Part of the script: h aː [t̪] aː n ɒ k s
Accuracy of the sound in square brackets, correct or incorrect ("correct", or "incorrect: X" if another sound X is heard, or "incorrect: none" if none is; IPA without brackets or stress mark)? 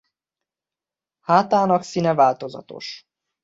correct